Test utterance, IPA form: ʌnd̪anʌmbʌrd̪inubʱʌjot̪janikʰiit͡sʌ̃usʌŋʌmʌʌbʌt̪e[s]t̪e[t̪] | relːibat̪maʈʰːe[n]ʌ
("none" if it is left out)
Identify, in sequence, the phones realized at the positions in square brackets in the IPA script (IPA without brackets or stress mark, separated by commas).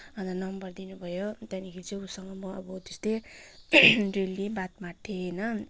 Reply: s, none, n